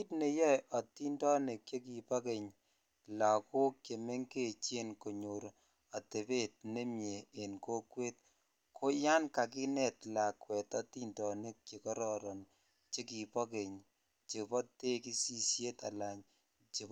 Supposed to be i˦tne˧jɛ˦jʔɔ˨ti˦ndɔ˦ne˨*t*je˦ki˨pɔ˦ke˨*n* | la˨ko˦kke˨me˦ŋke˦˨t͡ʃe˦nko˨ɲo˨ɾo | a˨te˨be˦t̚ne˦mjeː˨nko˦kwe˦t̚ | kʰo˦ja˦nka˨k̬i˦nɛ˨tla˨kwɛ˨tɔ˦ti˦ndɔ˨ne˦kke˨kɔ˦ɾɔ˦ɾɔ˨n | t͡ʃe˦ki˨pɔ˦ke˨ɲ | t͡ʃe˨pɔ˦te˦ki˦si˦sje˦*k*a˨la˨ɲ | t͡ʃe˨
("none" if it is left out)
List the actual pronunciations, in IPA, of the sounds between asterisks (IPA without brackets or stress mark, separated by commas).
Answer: k, ɲ, t